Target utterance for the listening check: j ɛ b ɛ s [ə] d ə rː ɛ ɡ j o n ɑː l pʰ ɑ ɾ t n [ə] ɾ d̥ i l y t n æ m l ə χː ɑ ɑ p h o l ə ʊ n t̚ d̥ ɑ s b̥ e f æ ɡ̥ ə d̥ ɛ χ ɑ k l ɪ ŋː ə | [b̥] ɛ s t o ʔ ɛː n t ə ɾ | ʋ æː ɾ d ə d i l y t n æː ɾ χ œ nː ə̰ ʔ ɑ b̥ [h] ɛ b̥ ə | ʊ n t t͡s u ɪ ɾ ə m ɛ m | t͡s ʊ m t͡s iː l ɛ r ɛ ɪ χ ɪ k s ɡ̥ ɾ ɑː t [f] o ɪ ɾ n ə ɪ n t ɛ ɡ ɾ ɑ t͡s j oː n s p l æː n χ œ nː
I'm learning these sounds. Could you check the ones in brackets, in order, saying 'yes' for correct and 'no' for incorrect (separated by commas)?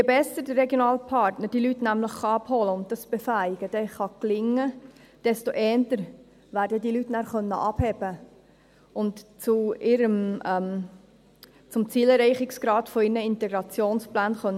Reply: yes, yes, no, yes, yes